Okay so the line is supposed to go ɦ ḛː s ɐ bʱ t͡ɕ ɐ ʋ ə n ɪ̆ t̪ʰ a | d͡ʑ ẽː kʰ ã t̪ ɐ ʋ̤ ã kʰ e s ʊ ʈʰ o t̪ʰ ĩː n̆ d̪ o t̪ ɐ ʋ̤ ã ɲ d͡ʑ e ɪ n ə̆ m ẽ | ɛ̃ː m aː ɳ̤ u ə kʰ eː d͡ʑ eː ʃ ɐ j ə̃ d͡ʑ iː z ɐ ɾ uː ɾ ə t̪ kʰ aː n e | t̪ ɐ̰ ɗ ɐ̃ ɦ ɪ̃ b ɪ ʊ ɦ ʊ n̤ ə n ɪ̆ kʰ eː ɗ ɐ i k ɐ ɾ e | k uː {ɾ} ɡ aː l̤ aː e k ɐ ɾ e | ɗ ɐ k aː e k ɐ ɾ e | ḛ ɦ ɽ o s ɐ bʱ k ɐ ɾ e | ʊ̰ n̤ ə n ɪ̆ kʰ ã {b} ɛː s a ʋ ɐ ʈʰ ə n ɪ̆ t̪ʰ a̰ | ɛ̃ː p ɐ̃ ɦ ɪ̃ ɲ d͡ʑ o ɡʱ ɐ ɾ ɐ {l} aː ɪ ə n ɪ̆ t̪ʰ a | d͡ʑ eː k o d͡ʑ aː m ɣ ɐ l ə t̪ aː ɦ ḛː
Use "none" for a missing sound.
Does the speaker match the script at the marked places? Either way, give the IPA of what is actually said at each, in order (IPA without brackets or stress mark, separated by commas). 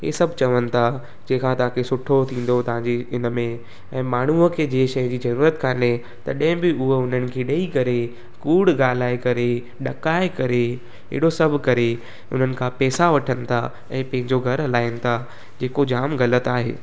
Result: ɽ, p, l